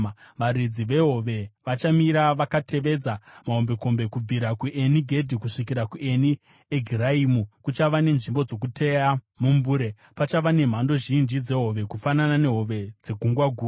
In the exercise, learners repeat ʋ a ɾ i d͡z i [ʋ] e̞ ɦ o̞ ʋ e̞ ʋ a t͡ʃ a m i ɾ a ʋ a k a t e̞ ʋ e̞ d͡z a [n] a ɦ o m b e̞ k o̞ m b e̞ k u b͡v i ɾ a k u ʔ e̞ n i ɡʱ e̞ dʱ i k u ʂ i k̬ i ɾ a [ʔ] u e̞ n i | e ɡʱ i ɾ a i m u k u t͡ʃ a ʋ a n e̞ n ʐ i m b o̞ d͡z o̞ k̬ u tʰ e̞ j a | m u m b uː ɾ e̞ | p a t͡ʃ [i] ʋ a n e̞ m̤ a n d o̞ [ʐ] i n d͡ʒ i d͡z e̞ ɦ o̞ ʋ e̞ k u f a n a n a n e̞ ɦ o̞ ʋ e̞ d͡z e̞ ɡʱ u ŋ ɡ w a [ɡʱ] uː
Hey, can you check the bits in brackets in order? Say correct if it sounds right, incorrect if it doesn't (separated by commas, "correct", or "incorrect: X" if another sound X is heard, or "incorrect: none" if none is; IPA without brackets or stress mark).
correct, incorrect: m, incorrect: k, incorrect: a, incorrect: ʒ, correct